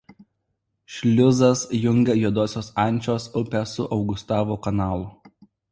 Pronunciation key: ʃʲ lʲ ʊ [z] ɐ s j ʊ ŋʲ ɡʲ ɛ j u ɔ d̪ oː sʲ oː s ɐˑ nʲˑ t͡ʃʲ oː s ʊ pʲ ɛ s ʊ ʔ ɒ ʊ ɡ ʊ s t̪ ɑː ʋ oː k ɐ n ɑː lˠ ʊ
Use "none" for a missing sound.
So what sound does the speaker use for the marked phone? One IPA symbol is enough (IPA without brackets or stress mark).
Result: z